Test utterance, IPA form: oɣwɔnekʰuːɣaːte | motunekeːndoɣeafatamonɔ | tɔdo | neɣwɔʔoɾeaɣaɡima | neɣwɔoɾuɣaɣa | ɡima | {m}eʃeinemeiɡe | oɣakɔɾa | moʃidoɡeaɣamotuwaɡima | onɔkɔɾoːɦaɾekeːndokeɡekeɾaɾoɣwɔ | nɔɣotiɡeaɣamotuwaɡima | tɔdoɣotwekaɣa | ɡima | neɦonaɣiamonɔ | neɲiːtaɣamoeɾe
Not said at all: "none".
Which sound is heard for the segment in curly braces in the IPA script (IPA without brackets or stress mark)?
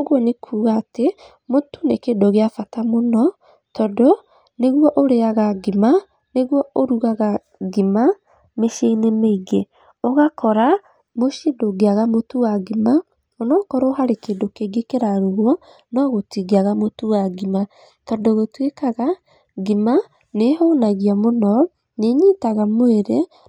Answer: m